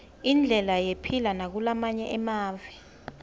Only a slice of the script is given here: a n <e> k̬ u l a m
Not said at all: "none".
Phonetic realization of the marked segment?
a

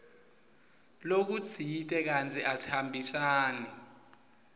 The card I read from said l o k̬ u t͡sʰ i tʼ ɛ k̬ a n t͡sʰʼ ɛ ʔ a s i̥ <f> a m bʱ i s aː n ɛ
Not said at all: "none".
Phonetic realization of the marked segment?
h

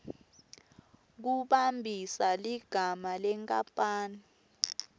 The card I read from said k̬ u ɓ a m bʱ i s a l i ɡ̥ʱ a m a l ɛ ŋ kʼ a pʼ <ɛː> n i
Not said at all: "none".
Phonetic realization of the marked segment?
aː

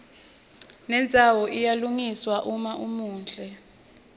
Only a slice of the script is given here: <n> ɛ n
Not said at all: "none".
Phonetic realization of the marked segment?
n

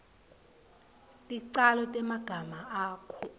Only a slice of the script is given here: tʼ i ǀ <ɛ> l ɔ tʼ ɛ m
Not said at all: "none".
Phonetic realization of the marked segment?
a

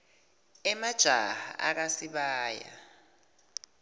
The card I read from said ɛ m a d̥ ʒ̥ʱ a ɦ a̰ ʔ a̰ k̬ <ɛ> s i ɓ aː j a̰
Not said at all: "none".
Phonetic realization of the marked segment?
a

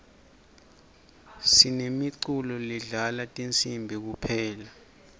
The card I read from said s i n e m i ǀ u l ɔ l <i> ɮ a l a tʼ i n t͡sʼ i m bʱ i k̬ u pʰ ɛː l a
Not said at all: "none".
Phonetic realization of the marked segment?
i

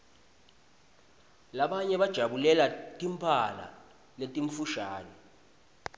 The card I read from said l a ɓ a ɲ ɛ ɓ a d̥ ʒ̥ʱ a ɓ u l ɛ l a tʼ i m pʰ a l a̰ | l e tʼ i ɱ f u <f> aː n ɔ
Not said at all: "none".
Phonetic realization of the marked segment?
ʃ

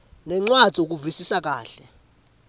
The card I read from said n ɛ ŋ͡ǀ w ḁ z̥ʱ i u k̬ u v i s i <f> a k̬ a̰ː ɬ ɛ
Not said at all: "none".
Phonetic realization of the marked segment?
s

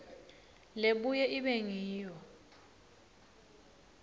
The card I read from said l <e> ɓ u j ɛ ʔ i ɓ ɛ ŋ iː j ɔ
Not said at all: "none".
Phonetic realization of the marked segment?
e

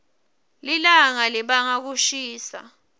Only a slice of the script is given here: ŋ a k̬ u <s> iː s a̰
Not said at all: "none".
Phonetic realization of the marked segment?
ʃ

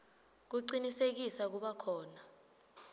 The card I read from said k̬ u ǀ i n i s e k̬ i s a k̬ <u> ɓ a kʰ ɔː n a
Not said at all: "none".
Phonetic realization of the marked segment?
u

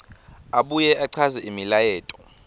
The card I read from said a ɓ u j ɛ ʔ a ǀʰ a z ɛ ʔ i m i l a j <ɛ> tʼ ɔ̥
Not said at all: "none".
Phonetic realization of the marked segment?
ɛː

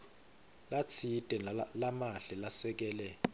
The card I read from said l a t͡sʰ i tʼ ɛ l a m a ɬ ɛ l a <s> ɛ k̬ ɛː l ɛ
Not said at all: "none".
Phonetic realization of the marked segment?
s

